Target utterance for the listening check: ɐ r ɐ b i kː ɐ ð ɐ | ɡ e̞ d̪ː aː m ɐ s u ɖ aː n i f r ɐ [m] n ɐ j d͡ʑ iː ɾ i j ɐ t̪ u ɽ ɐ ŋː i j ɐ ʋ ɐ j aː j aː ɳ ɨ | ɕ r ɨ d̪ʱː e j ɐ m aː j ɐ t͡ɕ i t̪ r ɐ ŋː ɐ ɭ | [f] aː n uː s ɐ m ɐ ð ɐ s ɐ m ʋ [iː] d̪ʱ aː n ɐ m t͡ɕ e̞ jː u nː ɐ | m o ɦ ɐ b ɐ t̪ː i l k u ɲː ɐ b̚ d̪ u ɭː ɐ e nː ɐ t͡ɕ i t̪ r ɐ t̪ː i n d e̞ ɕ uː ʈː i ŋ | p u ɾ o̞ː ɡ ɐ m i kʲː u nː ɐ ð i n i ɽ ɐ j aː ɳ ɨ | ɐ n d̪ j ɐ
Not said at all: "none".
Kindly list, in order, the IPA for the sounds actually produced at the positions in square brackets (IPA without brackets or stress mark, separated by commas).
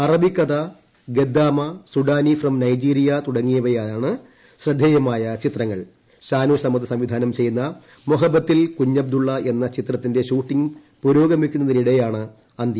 m, ɕ, i